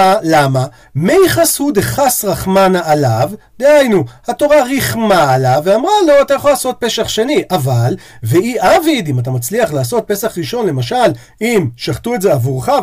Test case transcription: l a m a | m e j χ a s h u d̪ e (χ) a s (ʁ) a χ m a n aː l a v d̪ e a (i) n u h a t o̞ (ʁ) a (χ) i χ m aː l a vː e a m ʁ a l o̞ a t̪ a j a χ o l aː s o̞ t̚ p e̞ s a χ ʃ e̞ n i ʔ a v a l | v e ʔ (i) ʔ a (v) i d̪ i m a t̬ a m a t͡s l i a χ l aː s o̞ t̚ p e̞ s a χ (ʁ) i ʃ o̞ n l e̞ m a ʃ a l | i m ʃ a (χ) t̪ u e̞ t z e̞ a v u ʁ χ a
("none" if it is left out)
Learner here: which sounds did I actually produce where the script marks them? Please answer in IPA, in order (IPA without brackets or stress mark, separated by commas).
χ, ʁ, j, ʁ, ʁ, i, v, ʁ, χ